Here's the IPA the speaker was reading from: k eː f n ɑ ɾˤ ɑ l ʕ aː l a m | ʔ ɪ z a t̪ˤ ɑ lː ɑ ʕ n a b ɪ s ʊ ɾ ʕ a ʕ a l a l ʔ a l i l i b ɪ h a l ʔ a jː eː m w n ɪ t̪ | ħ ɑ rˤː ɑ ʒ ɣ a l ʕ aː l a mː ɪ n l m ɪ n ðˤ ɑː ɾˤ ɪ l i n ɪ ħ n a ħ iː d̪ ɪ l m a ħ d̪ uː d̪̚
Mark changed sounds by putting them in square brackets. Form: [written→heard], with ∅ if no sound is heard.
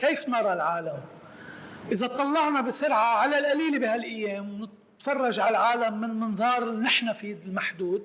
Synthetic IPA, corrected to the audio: k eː f n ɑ ɾˤ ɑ l ʕ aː l a m | ʔ ɪ z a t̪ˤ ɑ lː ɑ ʕ n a b ɪ s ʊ ɾ ʕ a ʕ a l a l ʔ a l [i→iː] l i b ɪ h a l ʔ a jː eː m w n ɪ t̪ | [ħ→f] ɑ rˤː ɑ ʒ [ɣ→ʕ] a l ʕ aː l a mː ɪ n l m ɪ n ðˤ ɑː ɾˤ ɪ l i n ɪ ħ n a [ħ→f] iː d̪ ɪ l m a ħ d̪ uː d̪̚

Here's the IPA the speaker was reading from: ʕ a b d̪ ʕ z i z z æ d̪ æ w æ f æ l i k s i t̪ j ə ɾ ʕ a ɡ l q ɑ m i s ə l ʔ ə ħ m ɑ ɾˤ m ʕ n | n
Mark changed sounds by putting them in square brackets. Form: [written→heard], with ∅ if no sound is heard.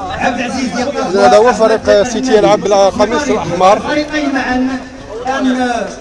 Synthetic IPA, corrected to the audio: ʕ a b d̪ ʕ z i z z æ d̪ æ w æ f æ [l→ɾ] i [k→q] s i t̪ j ə [ɾ→l] ʕ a [ɡ→b] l q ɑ m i s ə l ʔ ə ħ m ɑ ɾˤ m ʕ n | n

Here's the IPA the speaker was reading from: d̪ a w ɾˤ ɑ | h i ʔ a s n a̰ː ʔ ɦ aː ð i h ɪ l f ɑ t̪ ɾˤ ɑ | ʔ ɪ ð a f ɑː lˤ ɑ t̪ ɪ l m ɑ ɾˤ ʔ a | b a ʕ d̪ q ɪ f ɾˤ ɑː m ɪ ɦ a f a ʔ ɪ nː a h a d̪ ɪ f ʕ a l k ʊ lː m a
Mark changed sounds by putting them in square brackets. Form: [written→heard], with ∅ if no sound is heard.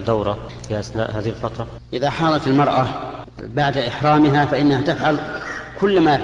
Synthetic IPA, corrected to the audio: d̪ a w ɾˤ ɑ | [h→f] i ʔ a s n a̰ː ʔ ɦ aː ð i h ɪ l f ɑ t̪ ɾˤ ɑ | ʔ ɪ ð a [f→ħ] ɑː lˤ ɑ t̪ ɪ l m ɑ ɾˤ ʔ a | b a ʕ d̪ [q→ʔ] ɪ [f→ħ] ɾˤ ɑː m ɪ ɦ a f a ʔ ɪ nː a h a [d̪→t̪] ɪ f ʕ a l k ʊ lː m a

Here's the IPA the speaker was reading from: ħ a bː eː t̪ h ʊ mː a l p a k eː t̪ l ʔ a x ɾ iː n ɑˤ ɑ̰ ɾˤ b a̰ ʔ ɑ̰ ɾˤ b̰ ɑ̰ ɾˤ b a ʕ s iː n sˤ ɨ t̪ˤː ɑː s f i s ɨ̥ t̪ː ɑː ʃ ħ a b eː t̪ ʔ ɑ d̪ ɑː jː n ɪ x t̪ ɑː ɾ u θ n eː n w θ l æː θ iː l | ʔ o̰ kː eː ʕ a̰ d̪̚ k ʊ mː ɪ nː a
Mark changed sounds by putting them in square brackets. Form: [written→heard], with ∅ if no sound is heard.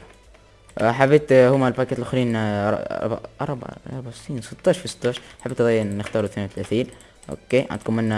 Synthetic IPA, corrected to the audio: ħ a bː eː t̪ h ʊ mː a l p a k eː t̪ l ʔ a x ɾ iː n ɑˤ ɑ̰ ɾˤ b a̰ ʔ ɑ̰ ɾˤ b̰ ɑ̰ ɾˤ b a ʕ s iː n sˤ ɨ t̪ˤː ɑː [s→ʃ] f i s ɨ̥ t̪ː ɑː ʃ ħ a b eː t̪ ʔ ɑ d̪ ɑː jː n ɪ x t̪ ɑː ɾ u θ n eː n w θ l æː θ iː l | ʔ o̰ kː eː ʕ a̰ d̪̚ k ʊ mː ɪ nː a

